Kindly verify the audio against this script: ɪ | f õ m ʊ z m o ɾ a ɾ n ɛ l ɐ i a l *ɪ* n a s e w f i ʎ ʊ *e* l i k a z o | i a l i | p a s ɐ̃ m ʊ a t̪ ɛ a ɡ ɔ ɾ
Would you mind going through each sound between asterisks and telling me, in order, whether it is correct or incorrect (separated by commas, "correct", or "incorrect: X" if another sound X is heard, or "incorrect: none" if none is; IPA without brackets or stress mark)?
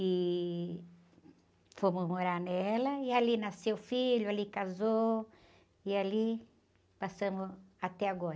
incorrect: i, incorrect: a